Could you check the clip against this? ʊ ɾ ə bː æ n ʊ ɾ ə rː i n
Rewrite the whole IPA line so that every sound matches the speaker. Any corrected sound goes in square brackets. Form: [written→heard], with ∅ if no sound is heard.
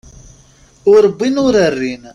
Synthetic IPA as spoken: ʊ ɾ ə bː [æ→i] n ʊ ɾ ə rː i n